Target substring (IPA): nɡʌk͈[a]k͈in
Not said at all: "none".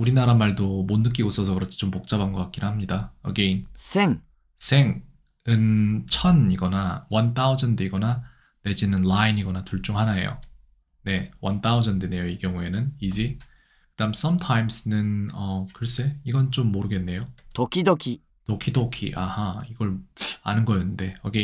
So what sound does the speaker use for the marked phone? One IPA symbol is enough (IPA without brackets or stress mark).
a